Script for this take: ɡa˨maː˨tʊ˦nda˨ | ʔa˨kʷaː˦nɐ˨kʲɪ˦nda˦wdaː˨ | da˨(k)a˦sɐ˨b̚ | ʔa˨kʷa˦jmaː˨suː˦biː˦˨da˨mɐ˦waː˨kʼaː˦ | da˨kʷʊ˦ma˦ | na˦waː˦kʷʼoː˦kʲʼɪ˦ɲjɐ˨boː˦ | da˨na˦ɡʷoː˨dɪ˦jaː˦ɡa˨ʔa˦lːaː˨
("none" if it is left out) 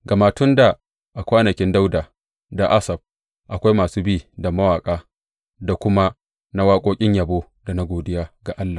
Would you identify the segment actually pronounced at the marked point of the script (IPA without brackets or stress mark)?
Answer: ʔ